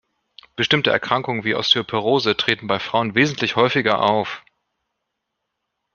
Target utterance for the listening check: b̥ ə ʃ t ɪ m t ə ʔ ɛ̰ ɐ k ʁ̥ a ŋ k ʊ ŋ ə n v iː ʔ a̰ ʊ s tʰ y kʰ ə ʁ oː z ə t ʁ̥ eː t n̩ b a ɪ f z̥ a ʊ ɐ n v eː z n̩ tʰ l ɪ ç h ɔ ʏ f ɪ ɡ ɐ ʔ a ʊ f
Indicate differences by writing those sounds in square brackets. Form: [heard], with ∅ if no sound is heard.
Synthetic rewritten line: b̥ ə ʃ t ɪ m t ə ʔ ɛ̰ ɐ k ʁ̥ a ŋ k ʊ ŋ ə n v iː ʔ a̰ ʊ s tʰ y [pʰ] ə ʁ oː z ə t ʁ̥ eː t n̩ b a ɪ f [ʁ̥] a ʊ [ə] n v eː z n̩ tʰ l ɪ ç h ɔ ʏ f ɪ ɡ ɐ ʔ a ʊ f

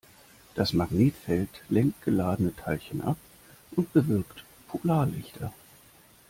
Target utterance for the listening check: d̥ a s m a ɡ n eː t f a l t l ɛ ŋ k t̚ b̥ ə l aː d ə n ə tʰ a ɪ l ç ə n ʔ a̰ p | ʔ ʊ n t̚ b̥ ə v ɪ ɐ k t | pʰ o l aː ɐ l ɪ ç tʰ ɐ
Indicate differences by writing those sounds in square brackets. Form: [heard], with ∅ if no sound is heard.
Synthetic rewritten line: d̥ a s m a ɡ n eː t f [ɛ] l t l ɛ ŋ k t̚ [ɡ̥] ə l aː d ə n ə tʰ a ɪ l ç ə n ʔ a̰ p | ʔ ʊ n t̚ b̥ ə v ɪ ɐ k t | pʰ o l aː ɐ l ɪ ç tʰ ɐ

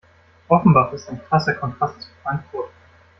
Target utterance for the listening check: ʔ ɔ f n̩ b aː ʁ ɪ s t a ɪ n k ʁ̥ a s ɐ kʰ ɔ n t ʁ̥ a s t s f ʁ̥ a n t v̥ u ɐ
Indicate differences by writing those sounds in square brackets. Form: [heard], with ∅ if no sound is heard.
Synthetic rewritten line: ʔ ɔ f n̩ b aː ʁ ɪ s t a ɪ n k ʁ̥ a s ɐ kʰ ɔ n t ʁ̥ a s t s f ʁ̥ a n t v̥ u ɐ

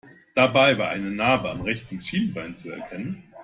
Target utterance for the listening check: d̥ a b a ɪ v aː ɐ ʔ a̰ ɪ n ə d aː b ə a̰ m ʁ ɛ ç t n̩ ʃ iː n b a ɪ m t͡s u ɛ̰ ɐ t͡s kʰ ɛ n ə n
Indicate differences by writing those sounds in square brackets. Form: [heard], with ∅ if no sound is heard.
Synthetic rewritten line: d̥ a b a ɪ v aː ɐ ʔ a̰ ɪ n ə [n] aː b ə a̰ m ʁ ɛ ç t n̩ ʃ iː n b a ɪ [n] t͡s u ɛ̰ ɐ [∅] kʰ ɛ n ə n

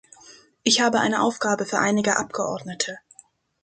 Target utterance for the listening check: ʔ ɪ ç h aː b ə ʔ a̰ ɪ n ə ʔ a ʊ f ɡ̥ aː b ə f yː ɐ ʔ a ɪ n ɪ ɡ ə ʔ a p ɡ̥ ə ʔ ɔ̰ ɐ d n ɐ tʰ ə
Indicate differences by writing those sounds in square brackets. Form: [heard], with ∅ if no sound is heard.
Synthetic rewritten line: ʔ ɪ ç h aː b ə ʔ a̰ ɪ n ə ʔ a ʊ f ɡ̥ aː b ə f yː ɐ ʔ a ɪ n ɪ ɡ ə ʔ a p ɡ̥ ə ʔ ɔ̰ ɐ d n [ə] tʰ ə

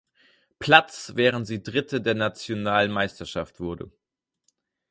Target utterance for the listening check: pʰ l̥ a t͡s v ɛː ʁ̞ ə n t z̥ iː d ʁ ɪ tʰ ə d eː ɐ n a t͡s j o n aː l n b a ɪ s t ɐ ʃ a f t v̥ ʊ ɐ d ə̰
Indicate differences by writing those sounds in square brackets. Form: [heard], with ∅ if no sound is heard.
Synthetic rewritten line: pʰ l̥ a t͡s v ɛː ʁ̞ ə n t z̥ iː d ʁ ɪ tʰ ə d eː ɐ n a t͡s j o n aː l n [m] a ɪ s t ɐ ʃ a f t v̥ ʊ ɐ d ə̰

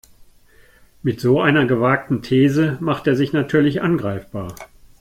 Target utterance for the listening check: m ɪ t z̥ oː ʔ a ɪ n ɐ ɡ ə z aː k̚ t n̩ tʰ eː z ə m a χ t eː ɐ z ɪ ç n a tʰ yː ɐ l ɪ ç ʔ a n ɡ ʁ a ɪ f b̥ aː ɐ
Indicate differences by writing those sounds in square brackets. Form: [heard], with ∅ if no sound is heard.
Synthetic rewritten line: m ɪ t z̥ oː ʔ a ɪ n ɐ ɡ ə [v] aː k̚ t n̩ tʰ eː z ə m a χ t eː ɐ z ɪ ç n a tʰ yː ɐ l ɪ ç ʔ a n ɡ ʁ a ɪ f b̥ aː ɐ

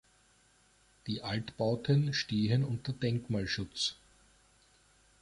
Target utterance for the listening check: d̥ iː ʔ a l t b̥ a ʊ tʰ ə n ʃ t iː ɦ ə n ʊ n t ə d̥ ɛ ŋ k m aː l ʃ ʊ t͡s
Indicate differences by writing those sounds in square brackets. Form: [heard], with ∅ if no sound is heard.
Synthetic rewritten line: d̥ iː ʔ a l t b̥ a ʊ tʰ ə n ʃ t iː ɦ ə n ʊ n t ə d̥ ɛ ŋ k m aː l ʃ ʊ t͡s

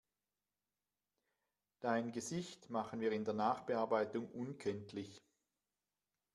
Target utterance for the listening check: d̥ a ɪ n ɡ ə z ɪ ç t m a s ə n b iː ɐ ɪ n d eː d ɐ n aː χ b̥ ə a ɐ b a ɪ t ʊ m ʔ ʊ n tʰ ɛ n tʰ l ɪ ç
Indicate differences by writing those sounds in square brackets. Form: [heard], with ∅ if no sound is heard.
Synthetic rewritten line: d̥ a ɪ n ɡ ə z ɪ ç t m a [χ] ə n [v] iː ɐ ɪ n d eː [∅] ɐ n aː χ b̥ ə a ɐ b a ɪ t ʊ [ŋ] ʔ ʊ n [kʰ] ɛ n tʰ l ɪ ç

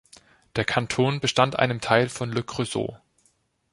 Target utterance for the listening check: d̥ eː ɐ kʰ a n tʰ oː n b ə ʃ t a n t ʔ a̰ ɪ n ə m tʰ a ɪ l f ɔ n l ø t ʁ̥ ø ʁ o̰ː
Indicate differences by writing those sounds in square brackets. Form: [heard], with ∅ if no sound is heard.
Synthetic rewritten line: d̥ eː ɐ kʰ a n tʰ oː n b ə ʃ t a n t ʔ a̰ ɪ n ə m tʰ a ɪ l f ɔ n l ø [k] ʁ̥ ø [z] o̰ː

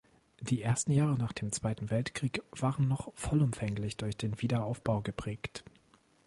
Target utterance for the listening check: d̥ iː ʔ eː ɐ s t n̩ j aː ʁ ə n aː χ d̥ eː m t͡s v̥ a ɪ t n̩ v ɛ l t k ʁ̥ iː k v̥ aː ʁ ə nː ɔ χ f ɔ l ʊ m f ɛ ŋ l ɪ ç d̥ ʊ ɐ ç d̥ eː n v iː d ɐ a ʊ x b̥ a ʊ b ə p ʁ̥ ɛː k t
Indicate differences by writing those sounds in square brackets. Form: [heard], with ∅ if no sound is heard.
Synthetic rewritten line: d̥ iː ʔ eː ɐ s t n̩ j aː ʁ ə n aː χ d̥ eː m t͡s v̥ a ɪ t n̩ v ɛ l t k ʁ̥ iː k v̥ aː ʁ ə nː ɔ χ f ɔ l ʊ m f ɛ ŋ l ɪ ç d̥ ʊ ɐ ç d̥ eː n v iː d ɐ a ʊ [f] b̥ a ʊ [ɡ] ə p ʁ̥ ɛː k t

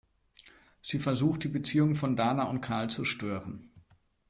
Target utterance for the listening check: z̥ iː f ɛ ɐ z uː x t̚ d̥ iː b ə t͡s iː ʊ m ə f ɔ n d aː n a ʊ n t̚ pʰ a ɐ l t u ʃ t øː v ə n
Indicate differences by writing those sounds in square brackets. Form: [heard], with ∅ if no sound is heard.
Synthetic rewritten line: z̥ iː f ɛ ɐ z uː x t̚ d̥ iː b ə t͡s iː ʊ [ŋ] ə f ɔ n d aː n a ʊ n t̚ [kʰ] a ɐ l [t͡s] u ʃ t øː [ʁ] ə n

